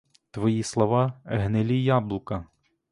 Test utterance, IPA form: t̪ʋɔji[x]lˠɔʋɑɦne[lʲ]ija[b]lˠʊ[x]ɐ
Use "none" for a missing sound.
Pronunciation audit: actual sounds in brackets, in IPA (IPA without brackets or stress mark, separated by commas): s, lʲ, b, k